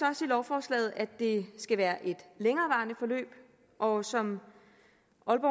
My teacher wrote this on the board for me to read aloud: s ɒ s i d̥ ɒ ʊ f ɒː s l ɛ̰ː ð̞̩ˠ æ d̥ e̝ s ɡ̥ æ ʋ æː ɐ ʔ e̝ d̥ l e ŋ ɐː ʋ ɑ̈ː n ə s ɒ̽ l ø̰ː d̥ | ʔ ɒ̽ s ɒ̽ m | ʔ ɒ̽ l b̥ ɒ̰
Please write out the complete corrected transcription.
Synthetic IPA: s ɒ s i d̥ ɒ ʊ f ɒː s l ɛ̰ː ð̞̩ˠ æ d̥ e̝ s ɡ̥ æ ʋ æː ɐ ʔ e̝ d̥ l e ŋ ɐː ʋ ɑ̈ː n ə f ɒ̽ l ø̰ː b̥ | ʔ ɒ̽ s ɒ̽ m | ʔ ɒ̽ l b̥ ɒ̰